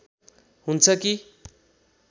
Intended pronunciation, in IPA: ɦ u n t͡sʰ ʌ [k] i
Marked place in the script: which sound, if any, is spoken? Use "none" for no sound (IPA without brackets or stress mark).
k